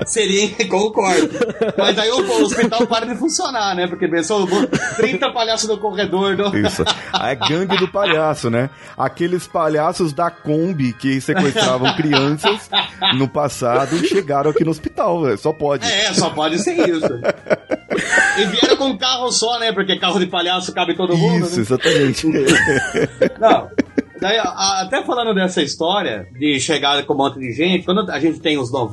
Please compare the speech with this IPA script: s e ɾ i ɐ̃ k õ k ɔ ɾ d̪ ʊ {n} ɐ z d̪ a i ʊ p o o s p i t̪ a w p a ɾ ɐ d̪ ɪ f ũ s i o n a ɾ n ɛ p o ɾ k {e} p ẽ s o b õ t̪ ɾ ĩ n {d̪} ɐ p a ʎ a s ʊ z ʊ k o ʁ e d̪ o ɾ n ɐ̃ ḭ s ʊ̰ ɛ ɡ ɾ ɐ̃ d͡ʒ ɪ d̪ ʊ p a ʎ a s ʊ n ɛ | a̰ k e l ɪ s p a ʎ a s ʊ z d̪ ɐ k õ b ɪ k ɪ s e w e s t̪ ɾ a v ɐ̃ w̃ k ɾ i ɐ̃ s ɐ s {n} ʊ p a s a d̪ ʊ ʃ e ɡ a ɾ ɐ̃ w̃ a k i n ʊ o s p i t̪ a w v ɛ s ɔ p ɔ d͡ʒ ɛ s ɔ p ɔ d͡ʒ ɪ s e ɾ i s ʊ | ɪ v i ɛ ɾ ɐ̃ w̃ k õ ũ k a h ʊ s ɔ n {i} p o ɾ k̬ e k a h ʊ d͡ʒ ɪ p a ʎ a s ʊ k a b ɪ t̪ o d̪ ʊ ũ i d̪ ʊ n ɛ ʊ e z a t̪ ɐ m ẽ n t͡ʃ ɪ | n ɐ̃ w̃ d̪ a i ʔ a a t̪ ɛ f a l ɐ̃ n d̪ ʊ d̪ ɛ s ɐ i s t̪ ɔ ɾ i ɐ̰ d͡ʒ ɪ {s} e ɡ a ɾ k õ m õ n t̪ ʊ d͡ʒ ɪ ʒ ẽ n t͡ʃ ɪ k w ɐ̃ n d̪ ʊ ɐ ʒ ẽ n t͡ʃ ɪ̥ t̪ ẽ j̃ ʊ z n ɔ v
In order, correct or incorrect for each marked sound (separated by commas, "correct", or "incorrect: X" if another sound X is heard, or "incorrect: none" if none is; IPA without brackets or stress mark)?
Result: incorrect: m, correct, incorrect: t̪, correct, incorrect: ɛ, incorrect: ʃ